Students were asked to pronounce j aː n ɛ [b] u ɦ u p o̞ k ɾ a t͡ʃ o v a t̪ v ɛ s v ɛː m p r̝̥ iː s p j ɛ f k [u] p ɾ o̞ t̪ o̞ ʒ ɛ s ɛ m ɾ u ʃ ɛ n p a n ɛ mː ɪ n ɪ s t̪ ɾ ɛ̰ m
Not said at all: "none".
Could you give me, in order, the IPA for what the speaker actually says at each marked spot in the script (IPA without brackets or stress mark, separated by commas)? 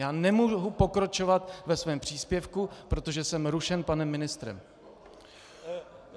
m, u